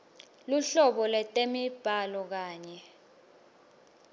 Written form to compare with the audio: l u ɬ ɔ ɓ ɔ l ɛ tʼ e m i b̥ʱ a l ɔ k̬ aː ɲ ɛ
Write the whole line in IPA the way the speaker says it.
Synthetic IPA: l u ɬ ɔ ɓ ɔ l ɛ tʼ e m i b̥ʱ a l ɔ k̬ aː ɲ ɛ